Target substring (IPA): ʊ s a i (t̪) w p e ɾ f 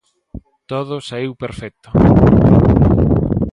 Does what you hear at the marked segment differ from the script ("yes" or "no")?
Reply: yes